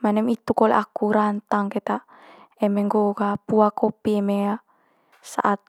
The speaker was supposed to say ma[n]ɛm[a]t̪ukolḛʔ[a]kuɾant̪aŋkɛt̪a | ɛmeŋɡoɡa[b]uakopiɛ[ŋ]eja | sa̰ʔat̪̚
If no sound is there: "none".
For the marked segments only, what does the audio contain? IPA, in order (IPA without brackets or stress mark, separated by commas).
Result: n, i, a, p, m